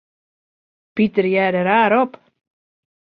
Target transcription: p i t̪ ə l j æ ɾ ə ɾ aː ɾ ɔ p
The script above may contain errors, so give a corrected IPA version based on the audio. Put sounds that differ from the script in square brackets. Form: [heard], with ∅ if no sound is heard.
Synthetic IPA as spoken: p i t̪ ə [ɾ] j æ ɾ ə ɾ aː ɾ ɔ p